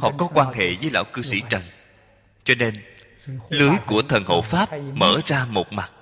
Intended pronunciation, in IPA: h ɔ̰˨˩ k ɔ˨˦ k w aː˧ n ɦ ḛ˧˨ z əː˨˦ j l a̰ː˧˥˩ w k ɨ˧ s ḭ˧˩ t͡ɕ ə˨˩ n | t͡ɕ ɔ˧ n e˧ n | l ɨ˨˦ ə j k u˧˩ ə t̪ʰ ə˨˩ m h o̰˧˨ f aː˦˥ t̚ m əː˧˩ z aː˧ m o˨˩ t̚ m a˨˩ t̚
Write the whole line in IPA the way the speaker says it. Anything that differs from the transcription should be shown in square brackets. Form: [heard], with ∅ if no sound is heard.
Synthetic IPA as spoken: h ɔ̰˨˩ k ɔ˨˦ k w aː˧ n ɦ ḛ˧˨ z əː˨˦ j l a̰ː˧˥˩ w k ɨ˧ s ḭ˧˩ t͡ɕ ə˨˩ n | t͡ɕ ɔ˧ n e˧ n | l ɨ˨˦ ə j k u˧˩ ə t̪ʰ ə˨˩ [n] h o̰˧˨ f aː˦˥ [p̚] m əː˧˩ z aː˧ m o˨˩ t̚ m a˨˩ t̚